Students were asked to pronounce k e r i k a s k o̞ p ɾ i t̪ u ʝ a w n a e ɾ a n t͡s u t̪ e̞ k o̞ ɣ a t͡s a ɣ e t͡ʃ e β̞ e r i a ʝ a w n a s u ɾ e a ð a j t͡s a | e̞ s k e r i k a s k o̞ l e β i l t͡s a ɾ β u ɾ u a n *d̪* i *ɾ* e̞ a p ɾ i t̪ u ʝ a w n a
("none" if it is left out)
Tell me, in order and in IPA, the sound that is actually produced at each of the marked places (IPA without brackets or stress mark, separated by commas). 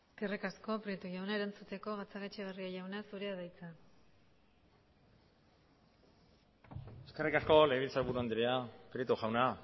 d̪, ɾ